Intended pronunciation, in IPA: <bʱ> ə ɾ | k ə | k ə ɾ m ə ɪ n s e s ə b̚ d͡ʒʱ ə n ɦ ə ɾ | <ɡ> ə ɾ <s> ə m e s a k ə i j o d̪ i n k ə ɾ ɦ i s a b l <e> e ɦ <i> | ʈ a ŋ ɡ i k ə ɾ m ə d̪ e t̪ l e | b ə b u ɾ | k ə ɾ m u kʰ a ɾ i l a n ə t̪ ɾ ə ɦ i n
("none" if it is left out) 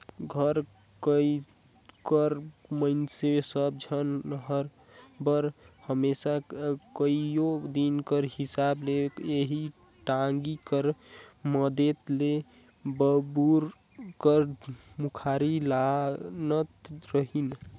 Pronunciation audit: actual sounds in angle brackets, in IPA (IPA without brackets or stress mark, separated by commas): ɡʱ, b, h, e, i